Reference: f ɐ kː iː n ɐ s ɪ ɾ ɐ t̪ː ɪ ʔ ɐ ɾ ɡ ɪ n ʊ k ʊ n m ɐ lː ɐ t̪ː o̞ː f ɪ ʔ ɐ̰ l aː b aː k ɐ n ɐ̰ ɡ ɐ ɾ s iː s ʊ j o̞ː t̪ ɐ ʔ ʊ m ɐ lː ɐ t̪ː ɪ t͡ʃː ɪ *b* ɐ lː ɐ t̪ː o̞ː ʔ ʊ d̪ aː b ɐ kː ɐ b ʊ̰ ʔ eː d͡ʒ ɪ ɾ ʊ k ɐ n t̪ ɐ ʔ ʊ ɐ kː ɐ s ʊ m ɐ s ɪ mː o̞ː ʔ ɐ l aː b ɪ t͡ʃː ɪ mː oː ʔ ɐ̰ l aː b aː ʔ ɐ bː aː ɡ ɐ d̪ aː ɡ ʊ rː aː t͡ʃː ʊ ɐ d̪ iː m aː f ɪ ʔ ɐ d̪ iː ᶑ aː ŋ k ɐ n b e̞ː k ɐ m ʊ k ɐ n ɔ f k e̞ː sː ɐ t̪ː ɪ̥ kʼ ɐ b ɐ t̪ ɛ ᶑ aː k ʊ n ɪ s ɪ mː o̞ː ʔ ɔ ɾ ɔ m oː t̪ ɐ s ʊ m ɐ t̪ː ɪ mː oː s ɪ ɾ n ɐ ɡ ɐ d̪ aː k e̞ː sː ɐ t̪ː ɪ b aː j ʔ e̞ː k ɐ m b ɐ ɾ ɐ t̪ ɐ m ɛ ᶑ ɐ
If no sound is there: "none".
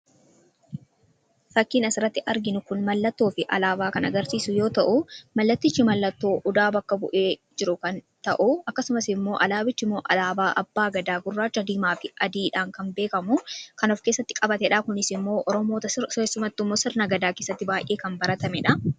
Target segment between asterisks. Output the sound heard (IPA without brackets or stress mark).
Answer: m